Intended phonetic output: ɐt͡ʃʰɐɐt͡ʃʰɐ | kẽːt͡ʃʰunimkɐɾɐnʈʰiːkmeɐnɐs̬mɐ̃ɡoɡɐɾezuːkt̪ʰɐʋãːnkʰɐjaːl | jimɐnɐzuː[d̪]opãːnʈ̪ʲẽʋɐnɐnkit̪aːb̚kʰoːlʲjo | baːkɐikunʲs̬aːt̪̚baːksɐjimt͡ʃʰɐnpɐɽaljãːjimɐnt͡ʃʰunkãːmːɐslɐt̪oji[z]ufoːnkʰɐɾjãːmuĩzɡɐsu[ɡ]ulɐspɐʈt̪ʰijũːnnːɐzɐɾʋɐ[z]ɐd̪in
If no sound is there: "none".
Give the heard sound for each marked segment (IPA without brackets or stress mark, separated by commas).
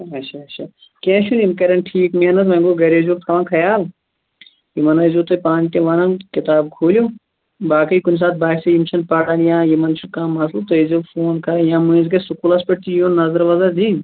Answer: t̪, z, k, z